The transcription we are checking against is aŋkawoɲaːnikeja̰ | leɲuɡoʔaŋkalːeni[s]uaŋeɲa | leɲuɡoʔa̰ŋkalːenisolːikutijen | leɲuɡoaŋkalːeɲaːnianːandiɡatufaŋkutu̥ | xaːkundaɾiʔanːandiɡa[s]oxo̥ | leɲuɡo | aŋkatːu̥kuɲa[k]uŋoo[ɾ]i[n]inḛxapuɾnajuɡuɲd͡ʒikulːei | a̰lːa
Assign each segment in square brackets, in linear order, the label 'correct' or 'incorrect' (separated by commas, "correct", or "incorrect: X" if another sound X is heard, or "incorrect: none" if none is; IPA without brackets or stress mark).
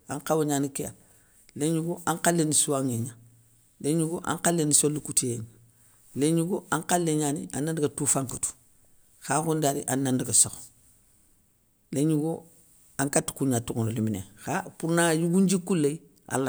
correct, correct, incorrect: t, incorrect: l, incorrect: m